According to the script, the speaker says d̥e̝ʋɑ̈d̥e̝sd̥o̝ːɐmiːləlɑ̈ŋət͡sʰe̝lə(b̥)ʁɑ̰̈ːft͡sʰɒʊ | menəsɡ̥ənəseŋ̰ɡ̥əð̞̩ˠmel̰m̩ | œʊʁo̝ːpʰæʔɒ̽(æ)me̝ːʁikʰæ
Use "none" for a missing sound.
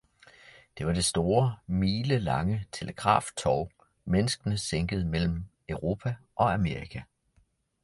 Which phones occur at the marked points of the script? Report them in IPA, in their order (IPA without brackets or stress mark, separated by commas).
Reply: ɡ̥, æ